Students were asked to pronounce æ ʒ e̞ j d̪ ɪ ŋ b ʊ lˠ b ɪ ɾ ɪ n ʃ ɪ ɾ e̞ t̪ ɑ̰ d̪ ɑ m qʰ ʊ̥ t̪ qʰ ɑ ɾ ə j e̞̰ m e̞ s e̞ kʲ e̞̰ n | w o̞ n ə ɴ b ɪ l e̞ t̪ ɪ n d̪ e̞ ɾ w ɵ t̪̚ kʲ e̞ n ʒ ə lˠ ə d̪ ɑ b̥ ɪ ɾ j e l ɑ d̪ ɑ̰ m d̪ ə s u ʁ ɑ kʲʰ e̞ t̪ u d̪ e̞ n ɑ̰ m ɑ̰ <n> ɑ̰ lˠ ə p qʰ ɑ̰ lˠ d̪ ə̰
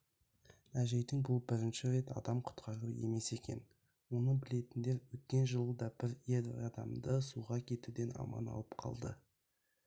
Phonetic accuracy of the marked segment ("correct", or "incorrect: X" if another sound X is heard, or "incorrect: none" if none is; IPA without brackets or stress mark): correct